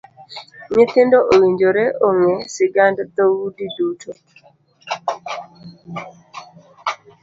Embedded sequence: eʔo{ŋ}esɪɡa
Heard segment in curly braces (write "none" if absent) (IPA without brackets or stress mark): ŋ